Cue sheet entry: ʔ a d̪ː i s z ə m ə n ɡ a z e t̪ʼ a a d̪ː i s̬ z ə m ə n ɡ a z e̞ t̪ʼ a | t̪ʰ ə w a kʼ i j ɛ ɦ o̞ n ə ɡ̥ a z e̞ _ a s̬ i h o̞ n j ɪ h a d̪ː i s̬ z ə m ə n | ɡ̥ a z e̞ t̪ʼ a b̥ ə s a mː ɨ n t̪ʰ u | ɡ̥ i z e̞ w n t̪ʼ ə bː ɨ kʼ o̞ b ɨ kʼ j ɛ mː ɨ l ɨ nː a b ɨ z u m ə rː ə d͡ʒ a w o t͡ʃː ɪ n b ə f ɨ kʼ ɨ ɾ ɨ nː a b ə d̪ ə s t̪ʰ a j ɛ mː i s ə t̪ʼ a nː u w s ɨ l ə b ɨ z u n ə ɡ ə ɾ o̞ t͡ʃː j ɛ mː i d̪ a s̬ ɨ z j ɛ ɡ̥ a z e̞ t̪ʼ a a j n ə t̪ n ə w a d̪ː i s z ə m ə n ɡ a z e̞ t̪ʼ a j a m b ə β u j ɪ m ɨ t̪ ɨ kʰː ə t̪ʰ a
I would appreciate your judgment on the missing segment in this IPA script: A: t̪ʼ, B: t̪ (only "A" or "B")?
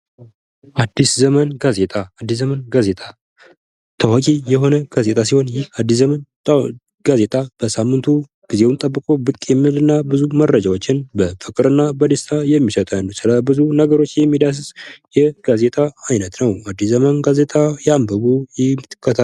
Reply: A